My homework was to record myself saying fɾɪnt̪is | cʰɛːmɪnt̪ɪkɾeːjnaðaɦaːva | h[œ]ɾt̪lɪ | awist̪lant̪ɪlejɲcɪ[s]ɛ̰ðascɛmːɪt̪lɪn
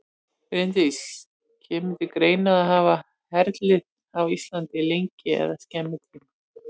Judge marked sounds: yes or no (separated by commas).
no, no